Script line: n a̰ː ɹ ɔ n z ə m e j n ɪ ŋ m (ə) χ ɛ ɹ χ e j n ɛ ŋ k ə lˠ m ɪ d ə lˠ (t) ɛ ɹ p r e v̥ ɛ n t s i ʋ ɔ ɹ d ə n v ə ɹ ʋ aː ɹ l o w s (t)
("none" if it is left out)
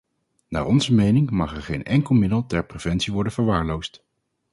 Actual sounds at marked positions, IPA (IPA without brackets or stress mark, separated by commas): ɑ, t, t